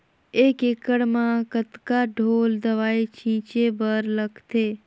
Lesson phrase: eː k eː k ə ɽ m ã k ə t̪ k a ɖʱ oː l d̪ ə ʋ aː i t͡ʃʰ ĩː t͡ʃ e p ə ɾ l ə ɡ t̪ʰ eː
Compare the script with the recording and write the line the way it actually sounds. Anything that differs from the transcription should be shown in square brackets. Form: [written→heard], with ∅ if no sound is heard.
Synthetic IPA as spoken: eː k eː k ə ɽ m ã k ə t̪ k a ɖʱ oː l d̪ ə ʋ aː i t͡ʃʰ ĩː t͡ʃ e [p→b] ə ɾ l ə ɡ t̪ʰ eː